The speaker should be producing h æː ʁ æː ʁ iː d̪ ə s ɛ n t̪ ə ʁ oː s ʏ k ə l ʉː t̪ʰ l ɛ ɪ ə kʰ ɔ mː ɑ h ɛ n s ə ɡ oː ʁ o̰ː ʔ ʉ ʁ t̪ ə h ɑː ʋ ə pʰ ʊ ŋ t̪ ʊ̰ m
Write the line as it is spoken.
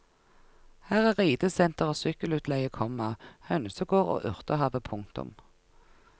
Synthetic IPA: h æː ʁ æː ʁ iː d̪ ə s ɛ n t̪ ə ʁ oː s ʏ k ə l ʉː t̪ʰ l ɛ ɪ ə kʰ ɔ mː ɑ h œ n s ə ɡ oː ʁ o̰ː ʔ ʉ ʁ t̪ ə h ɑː ʋ ə pʰ ʊ ŋ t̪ ʊ̰ m